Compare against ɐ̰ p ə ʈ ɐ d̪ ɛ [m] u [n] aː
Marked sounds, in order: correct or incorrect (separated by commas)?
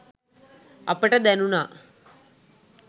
incorrect, correct